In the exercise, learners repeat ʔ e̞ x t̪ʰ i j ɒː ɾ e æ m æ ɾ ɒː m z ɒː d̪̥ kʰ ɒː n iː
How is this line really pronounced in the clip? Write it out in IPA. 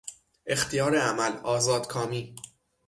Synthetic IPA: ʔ e̞ x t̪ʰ i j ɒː ɾ e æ m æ l ɒː z ɒː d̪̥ kʰ ɒː m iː